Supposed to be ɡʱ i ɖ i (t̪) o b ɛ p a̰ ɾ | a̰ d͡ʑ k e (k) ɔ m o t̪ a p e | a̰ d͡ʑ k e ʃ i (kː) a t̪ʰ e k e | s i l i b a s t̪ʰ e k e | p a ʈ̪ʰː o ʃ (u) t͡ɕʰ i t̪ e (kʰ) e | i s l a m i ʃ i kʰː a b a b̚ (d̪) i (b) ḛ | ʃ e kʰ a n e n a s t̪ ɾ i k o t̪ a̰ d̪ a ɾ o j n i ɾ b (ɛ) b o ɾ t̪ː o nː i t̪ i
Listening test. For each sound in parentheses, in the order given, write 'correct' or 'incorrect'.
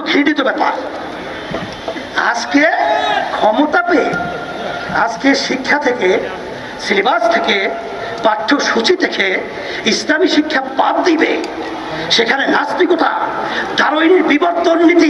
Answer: correct, incorrect, incorrect, correct, correct, correct, correct, incorrect

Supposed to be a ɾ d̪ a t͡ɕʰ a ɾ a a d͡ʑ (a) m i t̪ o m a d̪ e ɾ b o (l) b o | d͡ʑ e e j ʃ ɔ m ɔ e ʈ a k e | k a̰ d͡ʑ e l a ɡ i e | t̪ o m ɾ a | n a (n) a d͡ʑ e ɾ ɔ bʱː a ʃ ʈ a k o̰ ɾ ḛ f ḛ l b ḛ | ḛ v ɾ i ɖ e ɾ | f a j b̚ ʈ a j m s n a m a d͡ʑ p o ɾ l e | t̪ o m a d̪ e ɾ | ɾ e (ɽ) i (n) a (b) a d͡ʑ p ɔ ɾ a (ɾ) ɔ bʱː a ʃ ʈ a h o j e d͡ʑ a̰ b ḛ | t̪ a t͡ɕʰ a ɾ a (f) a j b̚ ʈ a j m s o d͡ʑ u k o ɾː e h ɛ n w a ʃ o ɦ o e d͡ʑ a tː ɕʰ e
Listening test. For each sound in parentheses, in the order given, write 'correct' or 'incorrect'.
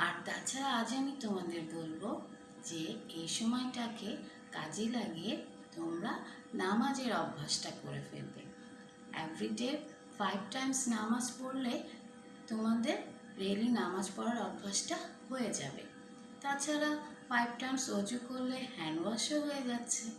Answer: correct, correct, incorrect, incorrect, correct, incorrect, correct, correct

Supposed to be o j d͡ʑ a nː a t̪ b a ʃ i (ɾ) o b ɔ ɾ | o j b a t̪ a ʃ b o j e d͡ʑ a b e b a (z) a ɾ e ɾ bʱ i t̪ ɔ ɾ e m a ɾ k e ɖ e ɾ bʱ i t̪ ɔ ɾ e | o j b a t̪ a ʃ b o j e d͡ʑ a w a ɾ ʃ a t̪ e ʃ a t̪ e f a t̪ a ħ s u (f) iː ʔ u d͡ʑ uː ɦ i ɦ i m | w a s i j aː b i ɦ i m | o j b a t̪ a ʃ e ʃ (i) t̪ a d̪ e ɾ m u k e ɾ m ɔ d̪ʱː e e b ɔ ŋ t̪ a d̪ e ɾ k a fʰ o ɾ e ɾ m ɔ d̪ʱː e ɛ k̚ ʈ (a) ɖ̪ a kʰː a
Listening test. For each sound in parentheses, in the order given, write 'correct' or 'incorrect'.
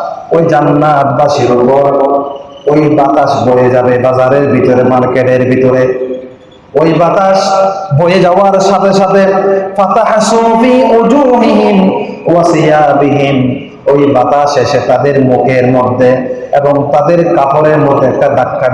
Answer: correct, correct, correct, incorrect, correct

